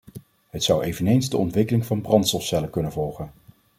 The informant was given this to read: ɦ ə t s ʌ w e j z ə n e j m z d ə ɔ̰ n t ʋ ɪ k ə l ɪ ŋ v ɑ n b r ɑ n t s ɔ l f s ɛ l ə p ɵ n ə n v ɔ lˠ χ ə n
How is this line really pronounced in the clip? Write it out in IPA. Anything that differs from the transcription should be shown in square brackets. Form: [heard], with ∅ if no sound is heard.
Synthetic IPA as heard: ɦ ə t s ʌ w e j [v] ə n e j [n] z d ə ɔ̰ n t ʋ ɪ k ə l ɪ ŋ v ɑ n b r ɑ n t s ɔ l f s ɛ l ə [k] ɵ n ə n v ɔ lˠ χ ə n